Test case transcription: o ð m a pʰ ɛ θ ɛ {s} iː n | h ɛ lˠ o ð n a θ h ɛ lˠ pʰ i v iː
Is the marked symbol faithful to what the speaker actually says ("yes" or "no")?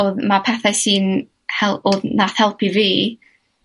yes